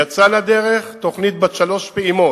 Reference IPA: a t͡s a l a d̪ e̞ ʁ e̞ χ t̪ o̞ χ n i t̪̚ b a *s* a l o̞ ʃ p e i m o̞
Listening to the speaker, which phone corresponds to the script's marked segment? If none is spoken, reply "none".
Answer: ʃ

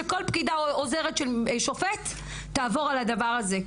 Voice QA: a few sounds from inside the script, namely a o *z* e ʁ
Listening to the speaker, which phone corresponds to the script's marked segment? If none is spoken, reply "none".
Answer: z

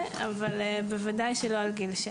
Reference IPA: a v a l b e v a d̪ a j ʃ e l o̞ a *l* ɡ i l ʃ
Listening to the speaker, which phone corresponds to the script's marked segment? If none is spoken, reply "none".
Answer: l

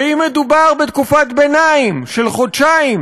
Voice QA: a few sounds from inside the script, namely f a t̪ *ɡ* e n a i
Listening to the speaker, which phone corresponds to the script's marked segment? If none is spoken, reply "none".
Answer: b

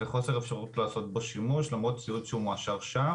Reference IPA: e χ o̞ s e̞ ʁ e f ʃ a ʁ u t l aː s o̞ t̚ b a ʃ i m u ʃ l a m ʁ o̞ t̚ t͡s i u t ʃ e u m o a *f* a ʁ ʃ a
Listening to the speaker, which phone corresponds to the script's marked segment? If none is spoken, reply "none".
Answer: ʃ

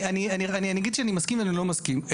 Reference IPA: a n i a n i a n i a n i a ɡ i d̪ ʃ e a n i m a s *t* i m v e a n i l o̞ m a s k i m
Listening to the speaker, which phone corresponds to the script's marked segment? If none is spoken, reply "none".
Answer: k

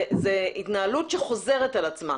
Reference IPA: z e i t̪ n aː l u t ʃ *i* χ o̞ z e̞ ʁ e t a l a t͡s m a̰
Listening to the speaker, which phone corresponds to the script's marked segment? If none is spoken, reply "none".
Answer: e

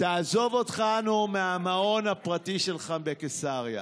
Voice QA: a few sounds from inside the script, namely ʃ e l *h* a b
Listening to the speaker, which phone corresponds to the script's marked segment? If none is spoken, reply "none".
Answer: χ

